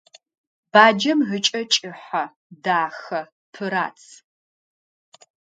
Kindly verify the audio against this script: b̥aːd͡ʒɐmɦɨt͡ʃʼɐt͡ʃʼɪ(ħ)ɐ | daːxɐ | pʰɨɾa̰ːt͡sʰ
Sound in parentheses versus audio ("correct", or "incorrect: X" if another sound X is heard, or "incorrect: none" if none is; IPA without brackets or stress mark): correct